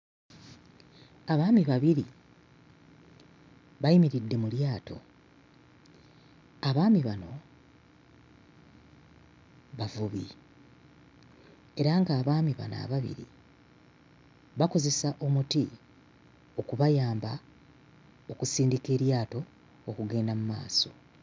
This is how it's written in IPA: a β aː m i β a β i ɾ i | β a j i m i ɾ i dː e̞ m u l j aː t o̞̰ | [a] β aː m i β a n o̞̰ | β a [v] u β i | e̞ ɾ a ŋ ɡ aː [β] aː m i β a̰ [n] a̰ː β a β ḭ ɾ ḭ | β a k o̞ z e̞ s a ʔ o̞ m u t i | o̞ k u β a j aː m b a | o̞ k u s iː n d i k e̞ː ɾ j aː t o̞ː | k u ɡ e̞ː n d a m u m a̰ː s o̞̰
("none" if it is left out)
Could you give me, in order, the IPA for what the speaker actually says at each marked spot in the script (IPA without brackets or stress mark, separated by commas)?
a, v, β, n